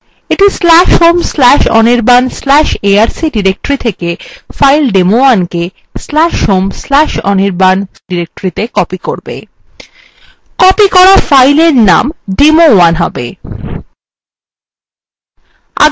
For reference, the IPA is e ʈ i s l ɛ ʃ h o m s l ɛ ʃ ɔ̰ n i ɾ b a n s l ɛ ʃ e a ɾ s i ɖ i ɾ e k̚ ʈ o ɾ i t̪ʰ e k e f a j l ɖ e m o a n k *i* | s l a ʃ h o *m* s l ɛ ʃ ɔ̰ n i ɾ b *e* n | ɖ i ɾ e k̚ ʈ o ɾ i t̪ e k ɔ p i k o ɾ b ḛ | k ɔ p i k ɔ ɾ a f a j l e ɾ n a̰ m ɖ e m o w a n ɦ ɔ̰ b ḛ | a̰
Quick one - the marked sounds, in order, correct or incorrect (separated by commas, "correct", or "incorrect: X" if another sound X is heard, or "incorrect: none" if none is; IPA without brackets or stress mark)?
incorrect: e, correct, incorrect: a